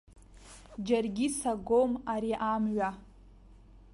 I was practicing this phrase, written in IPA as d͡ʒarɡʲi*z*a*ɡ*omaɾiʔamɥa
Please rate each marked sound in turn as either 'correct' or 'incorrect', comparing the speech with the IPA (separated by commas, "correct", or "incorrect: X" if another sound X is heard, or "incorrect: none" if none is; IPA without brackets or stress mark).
incorrect: s, correct